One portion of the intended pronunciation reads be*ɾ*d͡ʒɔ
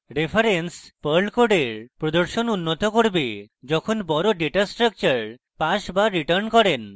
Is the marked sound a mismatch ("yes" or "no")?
yes